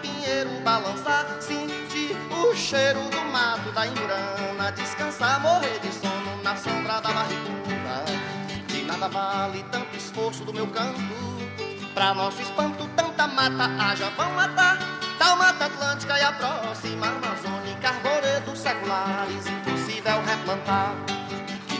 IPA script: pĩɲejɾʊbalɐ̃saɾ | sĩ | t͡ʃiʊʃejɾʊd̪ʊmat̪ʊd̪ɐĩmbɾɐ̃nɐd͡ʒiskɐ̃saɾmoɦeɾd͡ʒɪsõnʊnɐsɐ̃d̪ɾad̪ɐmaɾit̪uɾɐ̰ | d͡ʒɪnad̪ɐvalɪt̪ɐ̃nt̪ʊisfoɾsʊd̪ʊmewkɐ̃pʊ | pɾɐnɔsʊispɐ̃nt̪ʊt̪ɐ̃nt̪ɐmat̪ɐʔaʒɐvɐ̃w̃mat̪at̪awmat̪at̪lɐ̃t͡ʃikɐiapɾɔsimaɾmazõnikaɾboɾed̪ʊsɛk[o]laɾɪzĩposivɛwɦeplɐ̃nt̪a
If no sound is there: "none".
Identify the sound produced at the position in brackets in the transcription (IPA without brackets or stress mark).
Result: u